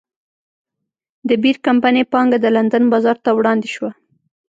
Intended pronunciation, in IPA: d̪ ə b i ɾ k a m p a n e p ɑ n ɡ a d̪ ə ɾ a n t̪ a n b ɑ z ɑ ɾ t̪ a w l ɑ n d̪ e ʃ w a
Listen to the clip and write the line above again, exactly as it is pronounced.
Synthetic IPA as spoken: d̪ ə b i ɾ k a m p a n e p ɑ ŋ ɡ a d̪ ə l a n d̪ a n b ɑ z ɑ ɾ t̪ a w ɽ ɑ n d̪ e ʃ w a

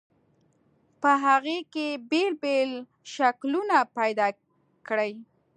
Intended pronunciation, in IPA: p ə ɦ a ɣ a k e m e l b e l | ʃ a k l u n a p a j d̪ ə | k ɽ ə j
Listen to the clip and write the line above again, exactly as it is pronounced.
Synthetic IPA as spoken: p ə ɦ a ɣ e k e b e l b e l | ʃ a k l u n a p a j d̪ ɑ | k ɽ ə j

